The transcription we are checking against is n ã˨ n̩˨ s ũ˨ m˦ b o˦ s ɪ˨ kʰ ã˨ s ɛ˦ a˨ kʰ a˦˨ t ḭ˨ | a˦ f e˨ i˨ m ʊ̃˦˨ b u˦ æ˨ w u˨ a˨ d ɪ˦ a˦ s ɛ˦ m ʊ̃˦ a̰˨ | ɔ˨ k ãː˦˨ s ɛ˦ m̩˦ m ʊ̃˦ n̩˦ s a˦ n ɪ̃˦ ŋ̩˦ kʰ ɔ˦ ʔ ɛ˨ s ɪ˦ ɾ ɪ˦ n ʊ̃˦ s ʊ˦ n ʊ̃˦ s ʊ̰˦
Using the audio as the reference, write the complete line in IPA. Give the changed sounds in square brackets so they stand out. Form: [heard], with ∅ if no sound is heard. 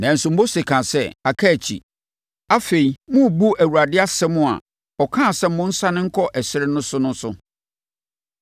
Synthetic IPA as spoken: n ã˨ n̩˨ s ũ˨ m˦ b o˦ s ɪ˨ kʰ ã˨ s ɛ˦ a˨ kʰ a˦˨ [t͡ɕʰ] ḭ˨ | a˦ f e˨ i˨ m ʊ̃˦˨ b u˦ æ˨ w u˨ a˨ d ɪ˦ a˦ s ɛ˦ m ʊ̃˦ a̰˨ | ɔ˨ [kʰ] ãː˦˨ s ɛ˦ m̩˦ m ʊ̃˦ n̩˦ s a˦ n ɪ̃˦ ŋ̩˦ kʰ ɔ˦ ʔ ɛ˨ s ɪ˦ ɾ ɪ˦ n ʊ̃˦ s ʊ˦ n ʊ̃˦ s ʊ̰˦